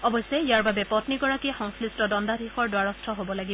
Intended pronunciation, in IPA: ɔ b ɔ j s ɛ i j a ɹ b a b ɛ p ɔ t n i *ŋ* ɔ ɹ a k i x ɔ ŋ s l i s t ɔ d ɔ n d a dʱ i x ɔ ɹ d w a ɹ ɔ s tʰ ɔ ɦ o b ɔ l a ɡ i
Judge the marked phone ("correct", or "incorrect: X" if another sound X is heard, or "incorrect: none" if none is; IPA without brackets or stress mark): incorrect: ɡ